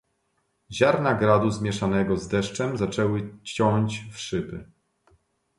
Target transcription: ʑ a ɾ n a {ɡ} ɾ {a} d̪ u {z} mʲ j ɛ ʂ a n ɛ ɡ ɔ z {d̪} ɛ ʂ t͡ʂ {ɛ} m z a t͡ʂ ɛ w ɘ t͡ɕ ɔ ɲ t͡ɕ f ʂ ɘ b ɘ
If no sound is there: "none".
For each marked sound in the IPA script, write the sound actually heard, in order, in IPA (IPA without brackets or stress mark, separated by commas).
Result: ɡ, a, z, d̪, ɛ